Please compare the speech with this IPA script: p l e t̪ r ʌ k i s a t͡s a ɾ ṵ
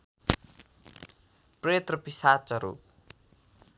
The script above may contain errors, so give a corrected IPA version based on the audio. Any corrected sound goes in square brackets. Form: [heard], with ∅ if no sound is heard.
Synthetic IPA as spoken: p [r] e t̪ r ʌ [p] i s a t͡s [ʌ] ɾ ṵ